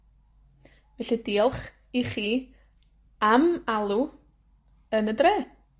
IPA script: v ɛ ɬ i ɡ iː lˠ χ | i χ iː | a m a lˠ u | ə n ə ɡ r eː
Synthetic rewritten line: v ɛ ɬ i d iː lˠ χ | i χ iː | a m a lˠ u | ə n ə d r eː